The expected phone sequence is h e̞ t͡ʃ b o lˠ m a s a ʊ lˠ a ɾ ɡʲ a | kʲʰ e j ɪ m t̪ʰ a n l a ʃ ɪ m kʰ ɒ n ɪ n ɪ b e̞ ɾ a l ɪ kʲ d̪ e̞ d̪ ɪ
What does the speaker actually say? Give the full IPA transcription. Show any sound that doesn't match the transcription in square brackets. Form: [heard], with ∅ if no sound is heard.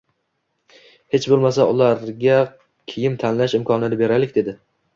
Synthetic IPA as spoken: h e̞ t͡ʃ b o lˠ m a s a ʊ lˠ a ɾ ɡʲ a | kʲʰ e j ɪ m t̪ʰ a n l a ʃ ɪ m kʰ ɒ n ɪ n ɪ b e̞ ɾ a l ɪ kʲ d̪ e̞ d̪ ɪ